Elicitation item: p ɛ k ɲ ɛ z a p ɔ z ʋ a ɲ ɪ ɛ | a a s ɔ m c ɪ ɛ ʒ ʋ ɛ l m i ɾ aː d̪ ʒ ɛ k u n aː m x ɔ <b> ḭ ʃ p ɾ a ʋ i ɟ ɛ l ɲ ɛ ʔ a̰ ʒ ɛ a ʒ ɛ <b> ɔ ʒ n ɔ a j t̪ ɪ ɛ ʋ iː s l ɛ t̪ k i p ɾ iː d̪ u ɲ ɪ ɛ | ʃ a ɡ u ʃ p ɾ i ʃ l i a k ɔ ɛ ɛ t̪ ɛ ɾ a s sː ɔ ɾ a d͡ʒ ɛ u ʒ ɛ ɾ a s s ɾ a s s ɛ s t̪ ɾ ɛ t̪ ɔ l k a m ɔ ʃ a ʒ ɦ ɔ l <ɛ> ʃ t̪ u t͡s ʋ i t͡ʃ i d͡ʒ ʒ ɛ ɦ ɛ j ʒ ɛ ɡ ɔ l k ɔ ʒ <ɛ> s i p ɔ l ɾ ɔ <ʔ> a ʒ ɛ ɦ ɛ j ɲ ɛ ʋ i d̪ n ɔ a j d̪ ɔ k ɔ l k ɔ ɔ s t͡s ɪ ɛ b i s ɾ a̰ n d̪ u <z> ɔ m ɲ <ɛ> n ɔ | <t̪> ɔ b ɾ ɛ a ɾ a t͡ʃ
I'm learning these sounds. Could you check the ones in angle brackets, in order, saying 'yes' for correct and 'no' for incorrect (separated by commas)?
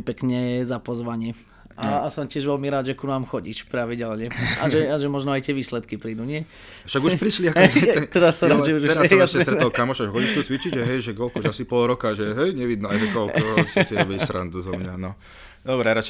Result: no, no, no, no, no, yes, no, no